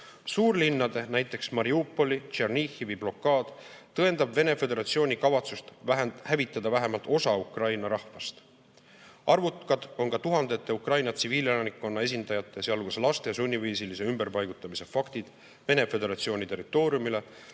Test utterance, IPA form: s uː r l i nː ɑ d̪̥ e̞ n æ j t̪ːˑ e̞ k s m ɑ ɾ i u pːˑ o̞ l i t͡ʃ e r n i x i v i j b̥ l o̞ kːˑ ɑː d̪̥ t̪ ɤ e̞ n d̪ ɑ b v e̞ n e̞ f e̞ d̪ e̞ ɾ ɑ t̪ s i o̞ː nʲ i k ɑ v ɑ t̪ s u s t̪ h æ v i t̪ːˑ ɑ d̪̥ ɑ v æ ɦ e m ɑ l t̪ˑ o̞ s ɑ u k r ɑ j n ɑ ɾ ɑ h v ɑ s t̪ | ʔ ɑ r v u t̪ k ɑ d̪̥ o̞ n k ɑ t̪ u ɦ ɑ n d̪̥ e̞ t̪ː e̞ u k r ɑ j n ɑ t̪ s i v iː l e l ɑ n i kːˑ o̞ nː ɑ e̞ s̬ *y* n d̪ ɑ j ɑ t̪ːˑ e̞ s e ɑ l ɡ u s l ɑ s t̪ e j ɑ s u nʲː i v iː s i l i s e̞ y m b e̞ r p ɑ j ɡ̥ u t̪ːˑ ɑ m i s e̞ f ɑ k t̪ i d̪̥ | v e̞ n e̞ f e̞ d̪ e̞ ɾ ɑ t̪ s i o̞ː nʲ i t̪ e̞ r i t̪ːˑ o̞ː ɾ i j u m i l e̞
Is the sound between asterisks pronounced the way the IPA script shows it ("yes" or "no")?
no